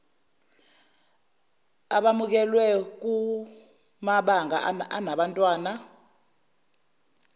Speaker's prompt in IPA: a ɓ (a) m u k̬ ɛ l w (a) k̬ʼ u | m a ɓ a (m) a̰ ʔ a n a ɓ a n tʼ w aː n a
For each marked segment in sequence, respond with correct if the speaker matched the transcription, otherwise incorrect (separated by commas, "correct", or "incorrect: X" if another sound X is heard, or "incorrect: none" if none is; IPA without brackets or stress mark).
correct, incorrect: ɛ, incorrect: ŋ